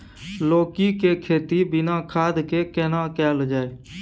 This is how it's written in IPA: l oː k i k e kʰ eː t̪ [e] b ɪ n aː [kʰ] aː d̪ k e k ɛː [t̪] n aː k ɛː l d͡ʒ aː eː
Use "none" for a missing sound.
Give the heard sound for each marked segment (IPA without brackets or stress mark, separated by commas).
i, kʰ, none